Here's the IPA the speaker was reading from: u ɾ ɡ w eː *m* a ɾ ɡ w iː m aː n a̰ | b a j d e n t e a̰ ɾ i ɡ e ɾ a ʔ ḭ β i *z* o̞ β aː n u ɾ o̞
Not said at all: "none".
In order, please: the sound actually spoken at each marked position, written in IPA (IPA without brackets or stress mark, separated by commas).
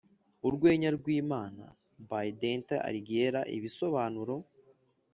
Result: ɲ, s